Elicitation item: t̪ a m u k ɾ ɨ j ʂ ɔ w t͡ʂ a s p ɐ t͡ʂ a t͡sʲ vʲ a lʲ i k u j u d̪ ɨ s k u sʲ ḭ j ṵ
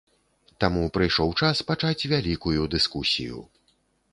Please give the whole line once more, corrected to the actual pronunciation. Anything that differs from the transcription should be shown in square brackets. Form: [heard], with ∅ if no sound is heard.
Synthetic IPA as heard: t̪ a m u [p] ɾ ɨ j ʂ ɔ w t͡ʂ a s p [a] t͡ʂ a t͡sʲ vʲ a lʲ i k u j u d̪ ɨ s k u sʲ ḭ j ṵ